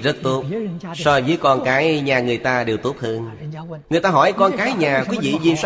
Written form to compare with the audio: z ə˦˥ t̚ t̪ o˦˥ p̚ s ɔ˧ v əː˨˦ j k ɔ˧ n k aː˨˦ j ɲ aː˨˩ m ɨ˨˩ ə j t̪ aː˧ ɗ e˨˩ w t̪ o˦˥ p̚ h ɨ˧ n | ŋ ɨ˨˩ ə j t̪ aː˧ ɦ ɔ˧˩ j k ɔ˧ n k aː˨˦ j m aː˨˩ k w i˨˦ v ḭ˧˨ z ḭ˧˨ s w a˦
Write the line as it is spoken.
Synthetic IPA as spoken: z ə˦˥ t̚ t̪ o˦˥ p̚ s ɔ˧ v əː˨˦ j k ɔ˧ n k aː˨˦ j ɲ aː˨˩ ŋ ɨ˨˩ ə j t̪ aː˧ ɗ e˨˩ w t̪ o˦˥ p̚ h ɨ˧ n | ŋ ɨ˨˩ ə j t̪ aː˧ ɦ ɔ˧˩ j k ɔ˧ n k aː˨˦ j ɲ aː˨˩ k w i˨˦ v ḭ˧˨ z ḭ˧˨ s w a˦